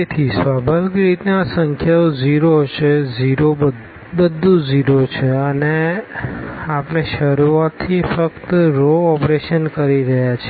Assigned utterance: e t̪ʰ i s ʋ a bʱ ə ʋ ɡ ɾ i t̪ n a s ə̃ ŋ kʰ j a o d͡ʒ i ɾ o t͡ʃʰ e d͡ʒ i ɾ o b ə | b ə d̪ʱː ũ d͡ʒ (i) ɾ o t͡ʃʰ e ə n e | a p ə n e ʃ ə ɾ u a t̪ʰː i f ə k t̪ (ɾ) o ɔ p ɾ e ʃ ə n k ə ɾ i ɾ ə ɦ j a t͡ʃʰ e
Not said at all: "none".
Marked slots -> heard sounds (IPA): i, ɾ

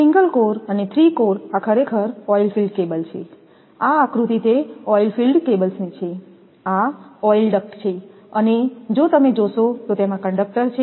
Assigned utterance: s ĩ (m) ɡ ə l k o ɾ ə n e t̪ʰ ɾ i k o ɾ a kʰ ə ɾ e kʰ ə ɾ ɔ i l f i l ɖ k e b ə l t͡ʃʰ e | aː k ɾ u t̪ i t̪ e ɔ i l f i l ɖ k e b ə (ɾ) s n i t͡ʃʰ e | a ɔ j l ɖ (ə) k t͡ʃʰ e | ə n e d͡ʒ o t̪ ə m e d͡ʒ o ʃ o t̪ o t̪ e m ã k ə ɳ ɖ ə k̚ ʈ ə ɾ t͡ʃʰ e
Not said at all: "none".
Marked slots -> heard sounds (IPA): ŋ, l, ə

